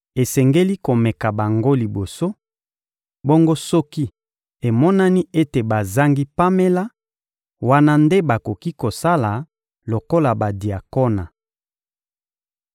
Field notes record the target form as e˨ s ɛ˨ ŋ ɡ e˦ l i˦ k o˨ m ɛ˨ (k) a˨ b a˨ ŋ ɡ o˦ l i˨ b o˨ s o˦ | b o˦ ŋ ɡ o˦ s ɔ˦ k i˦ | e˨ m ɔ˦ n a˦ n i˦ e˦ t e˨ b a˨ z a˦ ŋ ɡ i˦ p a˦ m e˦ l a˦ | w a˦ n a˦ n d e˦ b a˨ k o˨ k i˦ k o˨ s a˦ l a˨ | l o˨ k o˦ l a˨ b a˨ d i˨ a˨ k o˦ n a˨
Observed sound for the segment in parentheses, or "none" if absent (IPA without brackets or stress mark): k